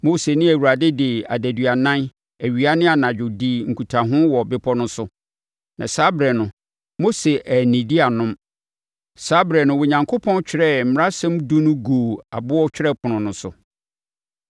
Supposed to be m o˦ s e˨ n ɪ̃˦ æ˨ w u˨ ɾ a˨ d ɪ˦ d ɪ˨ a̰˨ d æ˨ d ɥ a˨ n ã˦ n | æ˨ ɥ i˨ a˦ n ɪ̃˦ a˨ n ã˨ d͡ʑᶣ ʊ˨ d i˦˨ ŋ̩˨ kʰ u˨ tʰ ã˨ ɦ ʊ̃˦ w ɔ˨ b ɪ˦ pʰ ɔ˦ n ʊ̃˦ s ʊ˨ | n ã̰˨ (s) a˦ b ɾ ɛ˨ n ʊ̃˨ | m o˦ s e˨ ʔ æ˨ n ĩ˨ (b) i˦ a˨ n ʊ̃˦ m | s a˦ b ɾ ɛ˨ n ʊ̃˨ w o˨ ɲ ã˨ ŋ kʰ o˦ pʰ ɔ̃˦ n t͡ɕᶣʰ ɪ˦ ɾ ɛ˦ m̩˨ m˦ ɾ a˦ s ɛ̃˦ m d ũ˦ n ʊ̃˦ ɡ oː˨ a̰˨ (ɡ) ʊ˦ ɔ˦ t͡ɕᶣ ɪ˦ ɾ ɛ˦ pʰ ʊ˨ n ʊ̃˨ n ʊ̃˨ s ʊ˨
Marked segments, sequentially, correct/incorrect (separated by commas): correct, incorrect, incorrect